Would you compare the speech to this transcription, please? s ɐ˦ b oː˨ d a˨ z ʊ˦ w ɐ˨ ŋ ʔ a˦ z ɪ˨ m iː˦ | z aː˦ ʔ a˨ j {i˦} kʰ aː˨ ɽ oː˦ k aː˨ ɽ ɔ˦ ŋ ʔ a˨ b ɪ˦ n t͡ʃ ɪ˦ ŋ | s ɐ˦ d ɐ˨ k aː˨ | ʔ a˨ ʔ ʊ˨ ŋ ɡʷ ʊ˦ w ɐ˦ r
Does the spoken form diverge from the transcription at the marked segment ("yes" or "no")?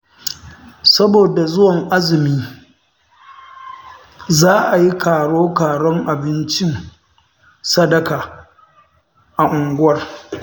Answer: no